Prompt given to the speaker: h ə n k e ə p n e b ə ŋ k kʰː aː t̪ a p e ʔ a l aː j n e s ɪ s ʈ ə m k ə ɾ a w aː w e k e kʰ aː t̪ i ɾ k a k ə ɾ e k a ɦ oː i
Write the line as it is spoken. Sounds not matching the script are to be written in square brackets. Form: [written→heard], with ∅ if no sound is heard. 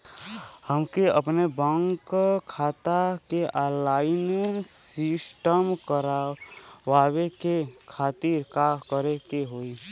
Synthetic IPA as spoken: h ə [n→m] k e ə p n e b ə ŋ k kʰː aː t̪ a [p→k] e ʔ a l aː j n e s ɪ s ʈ ə m k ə ɾ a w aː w e k e kʰ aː t̪ i ɾ k a k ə ɾ e k [a→e] ɦ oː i